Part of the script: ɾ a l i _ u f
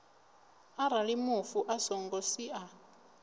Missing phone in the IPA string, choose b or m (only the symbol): m